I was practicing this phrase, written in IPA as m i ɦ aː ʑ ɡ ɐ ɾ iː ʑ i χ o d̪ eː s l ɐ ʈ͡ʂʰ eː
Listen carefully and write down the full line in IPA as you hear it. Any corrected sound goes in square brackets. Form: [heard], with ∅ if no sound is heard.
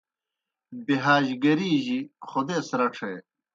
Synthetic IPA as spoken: [b] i ɦ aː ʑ ɡ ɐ ɾ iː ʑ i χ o d̪ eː s [ɾ] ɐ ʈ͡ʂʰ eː